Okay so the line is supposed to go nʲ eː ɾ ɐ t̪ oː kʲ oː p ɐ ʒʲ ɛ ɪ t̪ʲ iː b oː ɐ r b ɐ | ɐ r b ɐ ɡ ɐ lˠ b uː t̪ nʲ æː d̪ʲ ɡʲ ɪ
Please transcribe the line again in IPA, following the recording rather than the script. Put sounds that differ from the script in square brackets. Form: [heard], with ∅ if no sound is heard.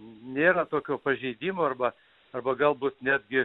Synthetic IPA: nʲ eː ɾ ɐ t̪ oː kʲ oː p ɐ ʒʲ ɛ ɪ [d̪ʲ] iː [m] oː ɐ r b ɐ | ɐ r b ɐ ɡ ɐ lˠ b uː t̪ nʲ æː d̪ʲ ɡʲ ɪ

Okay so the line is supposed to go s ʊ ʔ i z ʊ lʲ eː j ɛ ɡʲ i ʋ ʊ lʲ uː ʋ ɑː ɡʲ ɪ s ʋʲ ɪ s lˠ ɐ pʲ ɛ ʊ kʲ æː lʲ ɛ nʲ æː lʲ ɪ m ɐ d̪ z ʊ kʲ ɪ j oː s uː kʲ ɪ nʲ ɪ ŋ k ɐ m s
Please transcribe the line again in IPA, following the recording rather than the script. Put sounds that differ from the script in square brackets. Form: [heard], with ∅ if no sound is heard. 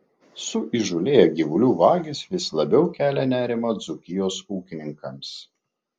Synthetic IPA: s ʊ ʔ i [ʒ] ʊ lʲ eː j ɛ ɡʲ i ʋ ʊ lʲ uː ʋ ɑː ɡʲ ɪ s ʋʲ ɪ s lˠ ɐ [bʲ] ɛ ʊ kʲ æː lʲ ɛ nʲ æː [ɾʲ] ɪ m ɐ d̪ z ʊ kʲ ɪ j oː s uː kʲ ɪ nʲ ɪ ŋ k ɐ m s

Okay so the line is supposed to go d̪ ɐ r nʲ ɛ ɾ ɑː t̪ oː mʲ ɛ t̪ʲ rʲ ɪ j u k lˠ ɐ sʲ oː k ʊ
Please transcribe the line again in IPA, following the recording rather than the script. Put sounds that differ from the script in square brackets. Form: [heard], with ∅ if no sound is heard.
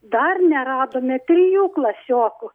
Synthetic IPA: d̪ ɐ r nʲ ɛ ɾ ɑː [d̪] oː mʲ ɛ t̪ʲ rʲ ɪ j [uː] k lˠ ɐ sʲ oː k ʊ

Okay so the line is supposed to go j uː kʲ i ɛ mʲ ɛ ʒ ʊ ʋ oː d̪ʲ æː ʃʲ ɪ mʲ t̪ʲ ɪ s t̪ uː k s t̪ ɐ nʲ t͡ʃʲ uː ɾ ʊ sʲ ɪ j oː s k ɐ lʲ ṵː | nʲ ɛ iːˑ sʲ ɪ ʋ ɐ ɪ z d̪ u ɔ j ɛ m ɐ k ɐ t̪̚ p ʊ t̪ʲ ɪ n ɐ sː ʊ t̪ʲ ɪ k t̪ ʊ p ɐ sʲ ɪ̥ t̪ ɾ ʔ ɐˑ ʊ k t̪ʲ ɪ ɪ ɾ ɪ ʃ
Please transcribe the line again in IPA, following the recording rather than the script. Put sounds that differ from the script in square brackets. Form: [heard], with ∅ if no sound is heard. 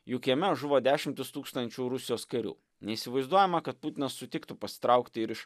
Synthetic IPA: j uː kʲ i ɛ mʲ ɛ ʒ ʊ ʋ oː d̪ʲ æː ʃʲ ɪ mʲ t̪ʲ ɪ s t̪ uː k s t̪ ɐ nʲ t͡ʃʲ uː ɾ ʊ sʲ ɪ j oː s k ɐ [ɾʲ] ṵː | nʲ ɛ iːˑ sʲ ɪ ʋ ɐ ɪ z d̪ u ɔ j ɛ m ɐ k ɐ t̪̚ p ʊ t̪ʲ ɪ n ɐ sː ʊ t̪ʲ ɪ k t̪ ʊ p ɐ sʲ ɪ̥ t̪ ɾ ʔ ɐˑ ʊ k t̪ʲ ɪ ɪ ɾ ɪ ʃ

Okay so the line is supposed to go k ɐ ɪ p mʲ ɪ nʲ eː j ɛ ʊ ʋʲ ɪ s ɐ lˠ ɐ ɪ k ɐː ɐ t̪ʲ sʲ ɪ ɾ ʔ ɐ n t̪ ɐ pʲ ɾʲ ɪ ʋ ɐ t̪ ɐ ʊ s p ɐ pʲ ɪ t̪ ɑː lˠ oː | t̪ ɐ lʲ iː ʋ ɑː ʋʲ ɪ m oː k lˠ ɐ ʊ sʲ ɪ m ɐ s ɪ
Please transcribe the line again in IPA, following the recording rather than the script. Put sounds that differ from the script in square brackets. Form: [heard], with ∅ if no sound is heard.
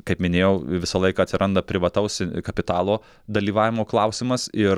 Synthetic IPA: k ɐ ɪ p mʲ ɪ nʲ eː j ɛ ʊ ʋʲ ɪ s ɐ lˠ ɐ ɪ k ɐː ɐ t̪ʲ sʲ ɪ ɾ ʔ ɐ n [d̪] ɐ pʲ ɾʲ ɪ ʋ ɐ t̪ ɐ ʊ s [k] ɐ pʲ ɪ t̪ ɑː lˠ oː | [d̪] ɐ lʲ iː ʋ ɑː ʋʲ ɪ m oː k lˠ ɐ ʊ sʲ ɪ m ɐ s ɪ

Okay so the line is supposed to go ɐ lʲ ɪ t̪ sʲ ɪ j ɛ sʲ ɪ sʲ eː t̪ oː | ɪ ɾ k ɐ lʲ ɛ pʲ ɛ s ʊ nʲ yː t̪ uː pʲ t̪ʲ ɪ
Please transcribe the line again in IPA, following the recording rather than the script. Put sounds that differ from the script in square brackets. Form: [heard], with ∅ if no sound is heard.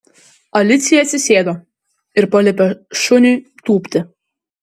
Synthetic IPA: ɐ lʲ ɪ t̪ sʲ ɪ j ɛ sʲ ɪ sʲ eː [d̪] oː | ɪ ɾ [p] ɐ lʲ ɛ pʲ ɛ [ʃ] ʊ nʲ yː t̪ uː pʲ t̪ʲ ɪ

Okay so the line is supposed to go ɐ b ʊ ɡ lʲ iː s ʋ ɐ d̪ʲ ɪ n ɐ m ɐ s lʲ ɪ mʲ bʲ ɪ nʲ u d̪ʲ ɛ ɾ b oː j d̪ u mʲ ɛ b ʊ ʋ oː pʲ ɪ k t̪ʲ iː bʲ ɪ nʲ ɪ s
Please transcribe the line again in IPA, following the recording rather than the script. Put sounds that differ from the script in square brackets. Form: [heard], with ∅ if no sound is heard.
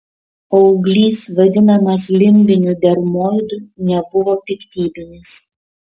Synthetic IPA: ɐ [∅] ʊ ɡ lʲ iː s ʋ ɐ d̪ʲ ɪ n ɐ m ɐ s lʲ ɪ mʲ bʲ ɪ nʲ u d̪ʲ ɛ ɾ [m] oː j d̪ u [nʲ] ɛ b ʊ ʋ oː pʲ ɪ k t̪ʲ iː bʲ ɪ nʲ ɪ s

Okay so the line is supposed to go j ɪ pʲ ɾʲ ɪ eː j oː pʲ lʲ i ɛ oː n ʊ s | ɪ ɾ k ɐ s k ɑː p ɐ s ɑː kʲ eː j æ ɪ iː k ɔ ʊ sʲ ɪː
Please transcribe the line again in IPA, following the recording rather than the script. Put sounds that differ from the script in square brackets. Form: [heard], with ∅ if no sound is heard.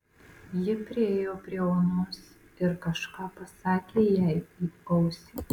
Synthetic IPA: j ɪ pʲ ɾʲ ɪ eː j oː pʲ [ɾʲ] i ɛ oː n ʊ s | ɪ ɾ k ɐ [ʃ] k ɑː p ɐ s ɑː kʲ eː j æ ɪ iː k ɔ ʊ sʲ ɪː

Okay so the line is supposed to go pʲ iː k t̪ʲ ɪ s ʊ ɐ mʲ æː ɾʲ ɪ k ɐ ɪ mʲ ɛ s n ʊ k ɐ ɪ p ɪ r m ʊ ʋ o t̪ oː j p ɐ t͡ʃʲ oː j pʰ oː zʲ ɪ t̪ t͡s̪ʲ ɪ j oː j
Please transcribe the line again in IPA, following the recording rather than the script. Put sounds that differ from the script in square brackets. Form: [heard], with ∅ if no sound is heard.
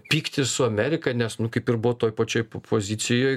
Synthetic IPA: pʲ iː k t̪ʲ ɪ s ʊ ɐ mʲ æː ɾʲ ɪ k ɐ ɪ [nʲ] ɛ s n ʊ k ɐ ɪ p ɪ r [b] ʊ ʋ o t̪ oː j p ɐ t͡ʃʲ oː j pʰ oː zʲ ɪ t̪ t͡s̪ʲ ɪ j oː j

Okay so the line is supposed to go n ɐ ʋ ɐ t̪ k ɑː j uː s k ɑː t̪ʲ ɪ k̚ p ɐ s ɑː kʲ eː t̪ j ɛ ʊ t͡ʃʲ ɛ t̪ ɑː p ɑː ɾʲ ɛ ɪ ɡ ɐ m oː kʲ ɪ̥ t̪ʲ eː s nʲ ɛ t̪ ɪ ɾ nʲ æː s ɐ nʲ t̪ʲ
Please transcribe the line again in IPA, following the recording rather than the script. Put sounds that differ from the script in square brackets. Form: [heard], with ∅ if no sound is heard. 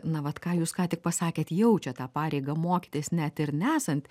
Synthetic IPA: n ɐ ʋ ɐ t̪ k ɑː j uː s k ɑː t̪ʲ ɪ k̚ p ɐ s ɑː kʲ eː t̪ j ɛ ʊ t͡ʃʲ ɛ t̪ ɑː p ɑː ɾʲ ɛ ɪ ɡ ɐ m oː kʲ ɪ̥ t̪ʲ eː s nʲ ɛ t̪ ɪ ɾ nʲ æː s ɐ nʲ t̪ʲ

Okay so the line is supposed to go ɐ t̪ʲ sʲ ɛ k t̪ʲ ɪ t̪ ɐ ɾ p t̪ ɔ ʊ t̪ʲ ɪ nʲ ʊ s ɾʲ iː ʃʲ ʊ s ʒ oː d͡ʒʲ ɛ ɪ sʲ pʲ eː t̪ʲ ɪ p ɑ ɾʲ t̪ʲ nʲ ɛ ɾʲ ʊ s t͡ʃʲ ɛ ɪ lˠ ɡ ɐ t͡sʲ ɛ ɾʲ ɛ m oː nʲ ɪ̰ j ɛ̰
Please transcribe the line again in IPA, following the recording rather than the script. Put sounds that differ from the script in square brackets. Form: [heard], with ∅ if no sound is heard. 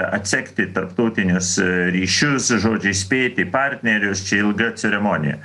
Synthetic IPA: ɐ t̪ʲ sʲ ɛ k t̪ʲ ɪ t̪ ɐ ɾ p t̪ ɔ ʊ t̪ʲ ɪ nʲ ʊ s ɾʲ iː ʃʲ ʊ s ʒ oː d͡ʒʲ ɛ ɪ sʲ pʲ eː t̪ʲ ɪ p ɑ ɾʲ t̪ʲ nʲ ɛ ɾʲ ʊ s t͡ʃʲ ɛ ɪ lˠ ɡ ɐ t͡sʲ ɛ ɾʲ ɛ m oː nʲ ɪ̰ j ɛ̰

